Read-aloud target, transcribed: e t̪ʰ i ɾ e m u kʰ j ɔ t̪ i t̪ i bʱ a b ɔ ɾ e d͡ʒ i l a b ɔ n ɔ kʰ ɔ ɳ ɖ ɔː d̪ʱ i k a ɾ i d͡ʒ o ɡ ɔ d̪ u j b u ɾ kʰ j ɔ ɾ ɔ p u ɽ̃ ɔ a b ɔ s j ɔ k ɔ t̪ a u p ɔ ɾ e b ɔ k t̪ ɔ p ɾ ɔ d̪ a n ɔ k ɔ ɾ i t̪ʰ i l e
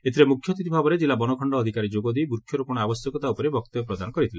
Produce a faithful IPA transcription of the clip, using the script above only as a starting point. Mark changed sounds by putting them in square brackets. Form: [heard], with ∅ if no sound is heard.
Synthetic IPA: e t̪ʰ i ɾ e m u kʰ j ɔ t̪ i t̪ i bʱ a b ɔ ɾ e d͡ʒ i l a b ɔ n ɔ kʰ ɔ ɳ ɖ ɔː d̪ʱ i k a ɾ i d͡ʒ o ɡ ɔ d̪ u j b u ɾ kʰ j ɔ ɾ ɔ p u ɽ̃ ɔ a b ɔ s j ɔ k ɔ t̪ a u p ɔ ɾ e b ɔ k t̪ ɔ p ɾ ɔ d̪ a n ɔ k ɔ ɾ i t̪ʰ i l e